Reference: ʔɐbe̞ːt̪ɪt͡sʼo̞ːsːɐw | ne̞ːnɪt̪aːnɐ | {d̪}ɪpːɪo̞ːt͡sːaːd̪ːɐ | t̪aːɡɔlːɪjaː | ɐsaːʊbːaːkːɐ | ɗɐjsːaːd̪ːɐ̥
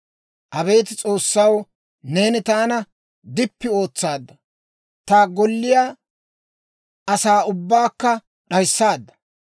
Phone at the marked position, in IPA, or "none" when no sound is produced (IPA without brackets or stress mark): d̪